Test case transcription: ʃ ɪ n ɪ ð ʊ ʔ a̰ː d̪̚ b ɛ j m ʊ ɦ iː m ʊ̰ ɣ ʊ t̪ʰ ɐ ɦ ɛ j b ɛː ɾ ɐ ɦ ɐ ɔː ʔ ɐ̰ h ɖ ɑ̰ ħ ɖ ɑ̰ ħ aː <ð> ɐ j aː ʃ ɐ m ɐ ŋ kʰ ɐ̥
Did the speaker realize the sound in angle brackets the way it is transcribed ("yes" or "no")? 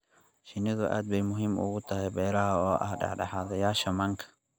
yes